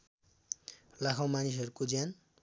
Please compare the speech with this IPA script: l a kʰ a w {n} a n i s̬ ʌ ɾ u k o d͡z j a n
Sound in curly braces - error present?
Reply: yes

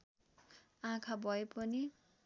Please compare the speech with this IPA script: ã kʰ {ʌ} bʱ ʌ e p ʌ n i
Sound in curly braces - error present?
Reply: yes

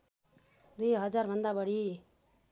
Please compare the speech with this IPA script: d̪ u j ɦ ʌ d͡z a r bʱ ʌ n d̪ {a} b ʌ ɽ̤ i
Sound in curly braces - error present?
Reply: no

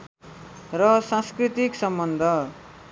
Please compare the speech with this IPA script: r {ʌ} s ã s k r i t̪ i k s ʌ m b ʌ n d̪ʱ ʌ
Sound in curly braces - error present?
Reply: no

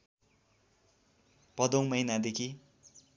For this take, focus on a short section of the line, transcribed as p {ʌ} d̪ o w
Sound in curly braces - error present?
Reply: no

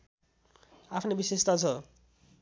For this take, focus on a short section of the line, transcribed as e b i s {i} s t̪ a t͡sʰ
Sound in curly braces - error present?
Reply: yes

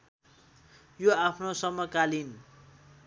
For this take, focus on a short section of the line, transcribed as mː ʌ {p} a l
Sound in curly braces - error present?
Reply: yes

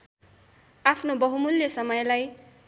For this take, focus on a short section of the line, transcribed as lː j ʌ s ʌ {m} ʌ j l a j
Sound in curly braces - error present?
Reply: no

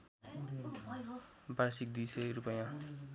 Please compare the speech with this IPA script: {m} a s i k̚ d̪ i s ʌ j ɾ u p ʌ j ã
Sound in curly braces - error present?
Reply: yes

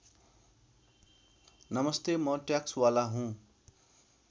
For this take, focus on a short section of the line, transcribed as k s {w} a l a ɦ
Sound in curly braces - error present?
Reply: no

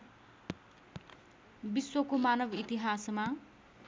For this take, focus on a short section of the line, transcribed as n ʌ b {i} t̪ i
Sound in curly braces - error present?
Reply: no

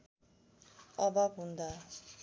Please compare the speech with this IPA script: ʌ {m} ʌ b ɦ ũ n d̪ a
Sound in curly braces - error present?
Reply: yes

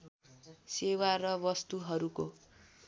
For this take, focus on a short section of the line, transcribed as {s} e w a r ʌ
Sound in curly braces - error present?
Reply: no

